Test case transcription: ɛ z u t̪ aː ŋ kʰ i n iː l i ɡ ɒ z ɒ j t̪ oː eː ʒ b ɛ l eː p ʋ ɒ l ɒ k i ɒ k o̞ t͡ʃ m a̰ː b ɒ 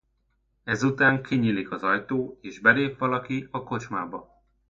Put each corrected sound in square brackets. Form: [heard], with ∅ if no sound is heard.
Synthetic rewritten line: ɛ z u t̪ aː ŋ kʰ i [ɲ] iː l i [k] ɒ z ɒ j t̪ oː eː ʒ b ɛ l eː p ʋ ɒ l ɒ k i ɒ k o̞ t͡ʃ m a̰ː b ɒ